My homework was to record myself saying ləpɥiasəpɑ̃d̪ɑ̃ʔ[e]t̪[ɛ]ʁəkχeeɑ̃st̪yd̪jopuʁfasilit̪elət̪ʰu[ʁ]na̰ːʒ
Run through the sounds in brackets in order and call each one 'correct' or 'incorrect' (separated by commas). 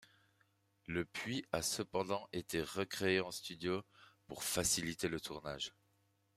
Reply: correct, incorrect, correct